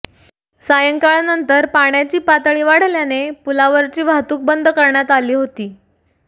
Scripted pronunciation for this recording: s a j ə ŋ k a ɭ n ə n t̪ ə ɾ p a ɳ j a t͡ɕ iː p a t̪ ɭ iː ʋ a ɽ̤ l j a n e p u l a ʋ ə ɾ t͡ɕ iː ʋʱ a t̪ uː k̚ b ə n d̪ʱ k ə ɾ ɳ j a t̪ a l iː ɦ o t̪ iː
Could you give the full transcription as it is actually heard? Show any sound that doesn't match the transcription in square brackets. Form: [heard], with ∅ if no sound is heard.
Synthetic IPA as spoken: s a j ə ŋ k a ɭ n ə n t̪ ə ɾ p a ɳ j a t͡ɕ iː p a t̪ ɭ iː ʋ a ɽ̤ l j a n e p u l a ʋ ə ɾ t͡ɕ iː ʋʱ a t̪ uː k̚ b ə n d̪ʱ k ə ɾ ɳ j a t̪ a l iː ɦ o t̪ iː